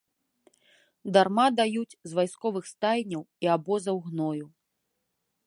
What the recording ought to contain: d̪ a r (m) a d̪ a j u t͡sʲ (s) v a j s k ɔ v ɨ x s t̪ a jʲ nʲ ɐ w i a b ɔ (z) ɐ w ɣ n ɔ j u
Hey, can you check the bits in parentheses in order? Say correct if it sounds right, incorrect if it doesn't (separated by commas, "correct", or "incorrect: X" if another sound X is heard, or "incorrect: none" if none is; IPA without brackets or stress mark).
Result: correct, incorrect: z, correct